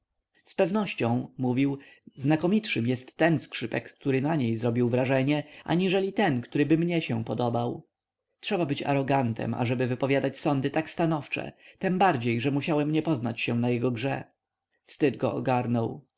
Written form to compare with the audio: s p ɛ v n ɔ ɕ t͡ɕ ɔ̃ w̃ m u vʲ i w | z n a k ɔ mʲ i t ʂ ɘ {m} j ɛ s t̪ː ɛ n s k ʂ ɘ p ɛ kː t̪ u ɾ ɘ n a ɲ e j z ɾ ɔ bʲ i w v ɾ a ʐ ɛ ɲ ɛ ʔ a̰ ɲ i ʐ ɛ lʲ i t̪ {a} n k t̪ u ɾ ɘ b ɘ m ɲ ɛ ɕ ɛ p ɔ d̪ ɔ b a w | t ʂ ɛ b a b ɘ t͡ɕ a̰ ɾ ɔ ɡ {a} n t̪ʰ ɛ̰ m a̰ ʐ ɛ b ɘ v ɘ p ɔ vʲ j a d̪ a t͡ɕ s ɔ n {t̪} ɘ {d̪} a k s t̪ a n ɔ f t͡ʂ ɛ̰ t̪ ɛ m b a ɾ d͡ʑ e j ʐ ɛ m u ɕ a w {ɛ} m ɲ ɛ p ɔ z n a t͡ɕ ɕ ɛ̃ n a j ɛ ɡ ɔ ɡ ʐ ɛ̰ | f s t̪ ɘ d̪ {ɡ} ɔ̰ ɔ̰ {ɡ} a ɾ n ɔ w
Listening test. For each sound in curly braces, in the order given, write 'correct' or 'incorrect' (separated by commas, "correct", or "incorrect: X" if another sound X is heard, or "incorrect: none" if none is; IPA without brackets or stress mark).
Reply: correct, incorrect: ɛ, correct, incorrect: d̪, incorrect: t̪, correct, correct, correct